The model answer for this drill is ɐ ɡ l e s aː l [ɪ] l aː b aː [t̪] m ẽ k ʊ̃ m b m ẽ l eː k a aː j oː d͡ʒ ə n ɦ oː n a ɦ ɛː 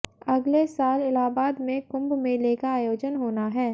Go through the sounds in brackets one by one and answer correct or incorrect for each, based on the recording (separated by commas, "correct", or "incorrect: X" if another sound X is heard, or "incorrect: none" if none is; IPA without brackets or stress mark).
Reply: correct, incorrect: d̪